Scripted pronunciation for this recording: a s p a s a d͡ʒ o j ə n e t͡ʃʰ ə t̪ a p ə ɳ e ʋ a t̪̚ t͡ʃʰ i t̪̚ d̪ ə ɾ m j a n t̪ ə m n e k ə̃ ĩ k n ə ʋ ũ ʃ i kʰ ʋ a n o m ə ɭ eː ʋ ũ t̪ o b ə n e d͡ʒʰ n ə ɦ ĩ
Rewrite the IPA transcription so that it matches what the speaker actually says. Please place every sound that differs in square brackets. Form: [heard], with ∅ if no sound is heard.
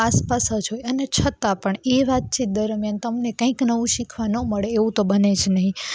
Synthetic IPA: a s p a s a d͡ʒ o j ə n e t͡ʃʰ ə t̪ a p ə ɳ e ʋ a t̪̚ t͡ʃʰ i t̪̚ d̪ ə ɾ m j a n t̪ ə m n e k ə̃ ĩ k n ə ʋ ũ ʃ i kʰ ʋ a n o m ə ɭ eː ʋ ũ t̪ o b ə n e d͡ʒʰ n ə ɦ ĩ